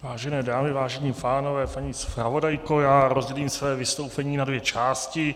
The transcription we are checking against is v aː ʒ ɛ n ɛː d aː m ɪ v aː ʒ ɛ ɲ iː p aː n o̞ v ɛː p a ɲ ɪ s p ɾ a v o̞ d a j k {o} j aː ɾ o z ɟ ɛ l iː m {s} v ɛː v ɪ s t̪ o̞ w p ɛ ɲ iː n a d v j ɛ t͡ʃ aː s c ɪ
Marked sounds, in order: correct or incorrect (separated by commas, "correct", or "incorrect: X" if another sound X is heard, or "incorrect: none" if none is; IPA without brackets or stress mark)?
correct, correct